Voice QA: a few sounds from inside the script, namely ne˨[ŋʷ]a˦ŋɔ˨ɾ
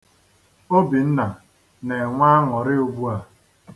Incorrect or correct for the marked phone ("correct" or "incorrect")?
correct